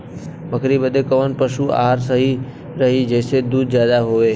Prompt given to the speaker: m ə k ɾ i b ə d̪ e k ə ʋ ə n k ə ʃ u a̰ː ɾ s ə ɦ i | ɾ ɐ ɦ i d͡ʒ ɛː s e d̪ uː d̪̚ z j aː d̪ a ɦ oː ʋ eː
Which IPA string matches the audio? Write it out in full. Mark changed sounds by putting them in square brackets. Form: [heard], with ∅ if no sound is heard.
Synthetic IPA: m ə k ɾ i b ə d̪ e k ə ʋ ə n [p] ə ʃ u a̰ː ɾ s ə ɦ i | ɾ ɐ ɦ i d͡ʒ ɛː s e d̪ uː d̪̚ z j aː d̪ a ɦ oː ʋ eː